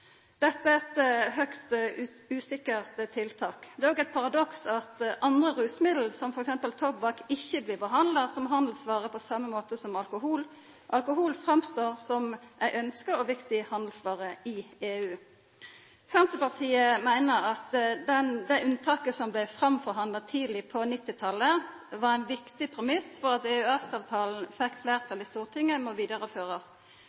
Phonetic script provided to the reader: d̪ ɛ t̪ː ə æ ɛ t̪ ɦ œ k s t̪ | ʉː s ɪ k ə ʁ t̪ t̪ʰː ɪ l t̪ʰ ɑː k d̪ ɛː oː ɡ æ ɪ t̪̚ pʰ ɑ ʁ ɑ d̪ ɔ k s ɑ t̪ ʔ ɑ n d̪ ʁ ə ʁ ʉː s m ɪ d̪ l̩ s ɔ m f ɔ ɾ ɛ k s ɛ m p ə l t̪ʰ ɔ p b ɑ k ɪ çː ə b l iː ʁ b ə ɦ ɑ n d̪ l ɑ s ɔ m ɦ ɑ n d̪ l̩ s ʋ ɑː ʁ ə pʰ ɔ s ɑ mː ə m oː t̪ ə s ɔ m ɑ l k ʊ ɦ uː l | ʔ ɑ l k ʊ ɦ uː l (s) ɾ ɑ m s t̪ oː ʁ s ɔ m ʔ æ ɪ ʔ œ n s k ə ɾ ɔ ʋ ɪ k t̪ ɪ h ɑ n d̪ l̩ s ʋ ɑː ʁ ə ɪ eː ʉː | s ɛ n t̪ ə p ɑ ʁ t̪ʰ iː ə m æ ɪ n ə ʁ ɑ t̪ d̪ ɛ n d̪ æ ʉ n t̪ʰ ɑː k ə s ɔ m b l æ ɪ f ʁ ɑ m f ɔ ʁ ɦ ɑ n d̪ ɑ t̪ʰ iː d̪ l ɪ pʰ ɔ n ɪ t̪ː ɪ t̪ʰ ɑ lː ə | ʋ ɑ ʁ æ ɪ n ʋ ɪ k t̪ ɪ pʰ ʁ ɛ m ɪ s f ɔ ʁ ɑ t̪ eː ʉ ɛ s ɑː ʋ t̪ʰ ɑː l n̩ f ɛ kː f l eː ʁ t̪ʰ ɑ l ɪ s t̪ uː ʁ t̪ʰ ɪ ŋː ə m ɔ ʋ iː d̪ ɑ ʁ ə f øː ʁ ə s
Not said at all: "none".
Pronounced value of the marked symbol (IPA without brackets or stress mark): f